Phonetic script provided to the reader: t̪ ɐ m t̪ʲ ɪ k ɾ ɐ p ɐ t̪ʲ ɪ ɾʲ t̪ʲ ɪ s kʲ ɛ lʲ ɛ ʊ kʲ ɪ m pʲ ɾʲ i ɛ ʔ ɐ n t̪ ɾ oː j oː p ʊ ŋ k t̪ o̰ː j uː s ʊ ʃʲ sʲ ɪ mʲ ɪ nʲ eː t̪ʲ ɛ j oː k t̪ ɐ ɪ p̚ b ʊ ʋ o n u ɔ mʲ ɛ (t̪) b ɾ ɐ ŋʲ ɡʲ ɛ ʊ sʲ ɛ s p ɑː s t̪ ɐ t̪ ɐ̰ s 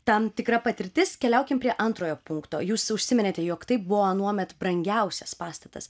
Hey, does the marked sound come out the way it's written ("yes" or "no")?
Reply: yes